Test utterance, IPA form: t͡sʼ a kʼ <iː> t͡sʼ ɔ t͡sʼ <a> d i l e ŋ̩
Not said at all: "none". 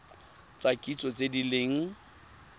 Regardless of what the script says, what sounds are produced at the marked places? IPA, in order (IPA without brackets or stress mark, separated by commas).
i, e